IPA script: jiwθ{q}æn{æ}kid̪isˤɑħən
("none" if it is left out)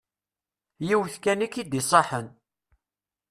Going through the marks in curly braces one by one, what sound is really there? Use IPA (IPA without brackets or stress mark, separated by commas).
k, i